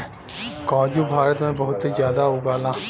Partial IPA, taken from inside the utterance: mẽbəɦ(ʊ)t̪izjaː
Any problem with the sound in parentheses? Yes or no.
no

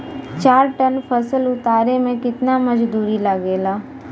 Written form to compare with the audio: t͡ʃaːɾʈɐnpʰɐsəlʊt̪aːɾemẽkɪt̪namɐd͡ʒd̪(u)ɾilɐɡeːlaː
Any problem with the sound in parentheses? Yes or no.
yes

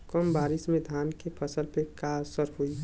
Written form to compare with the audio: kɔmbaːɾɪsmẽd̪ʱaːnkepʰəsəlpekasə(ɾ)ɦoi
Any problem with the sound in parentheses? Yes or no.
no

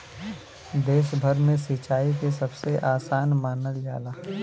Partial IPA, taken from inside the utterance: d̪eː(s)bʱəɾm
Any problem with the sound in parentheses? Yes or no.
yes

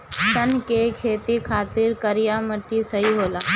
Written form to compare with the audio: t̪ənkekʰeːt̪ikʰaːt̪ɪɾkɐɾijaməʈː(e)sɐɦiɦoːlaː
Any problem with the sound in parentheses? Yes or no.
yes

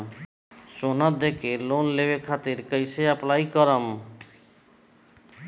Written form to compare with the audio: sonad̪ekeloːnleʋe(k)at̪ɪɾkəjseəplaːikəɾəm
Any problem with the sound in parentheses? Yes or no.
yes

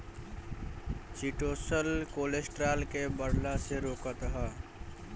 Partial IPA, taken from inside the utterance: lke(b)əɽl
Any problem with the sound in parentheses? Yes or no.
no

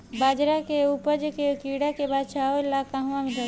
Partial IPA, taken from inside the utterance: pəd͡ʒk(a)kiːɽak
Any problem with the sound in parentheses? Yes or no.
yes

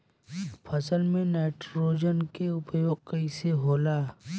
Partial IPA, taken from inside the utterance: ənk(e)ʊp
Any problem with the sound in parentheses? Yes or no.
no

